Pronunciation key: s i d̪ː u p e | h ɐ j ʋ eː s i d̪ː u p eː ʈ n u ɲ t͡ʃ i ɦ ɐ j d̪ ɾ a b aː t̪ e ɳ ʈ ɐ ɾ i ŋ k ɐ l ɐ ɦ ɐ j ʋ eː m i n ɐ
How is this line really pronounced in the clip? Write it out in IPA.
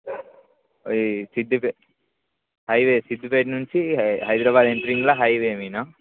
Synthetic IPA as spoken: s i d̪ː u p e | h ɐ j ʋ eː s i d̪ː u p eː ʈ n u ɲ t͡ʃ i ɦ ɐ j d̪ ɾ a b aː d̪ e ɳ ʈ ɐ ɾ i ŋ ɡ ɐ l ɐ ɦ ɐ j ʋ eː m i n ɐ

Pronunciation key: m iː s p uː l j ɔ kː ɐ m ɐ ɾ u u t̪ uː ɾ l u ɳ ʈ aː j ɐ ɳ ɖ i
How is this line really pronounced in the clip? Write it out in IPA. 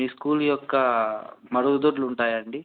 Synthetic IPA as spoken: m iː s k uː l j ɔ kː ɐ m ɐ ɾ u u d̪ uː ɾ l u ɳ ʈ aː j ɐ ɳ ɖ i

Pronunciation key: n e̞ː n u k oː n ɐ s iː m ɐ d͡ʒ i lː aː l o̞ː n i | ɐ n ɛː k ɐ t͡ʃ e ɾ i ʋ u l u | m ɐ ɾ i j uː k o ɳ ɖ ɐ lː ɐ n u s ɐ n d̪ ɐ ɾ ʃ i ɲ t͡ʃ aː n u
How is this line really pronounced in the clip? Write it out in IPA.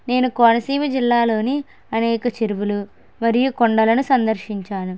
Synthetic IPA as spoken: n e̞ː n u k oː n ɐ s iː m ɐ d͡ʒ i lː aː l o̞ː n i | ɐ n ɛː k ɐ t͡ʃ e ɾ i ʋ u l u | m ɐ ɾ i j u k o ɳ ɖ ɐ l ɐ n u s ɐ n d̪ ɐ ɾ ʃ i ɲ t͡ʃ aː n u

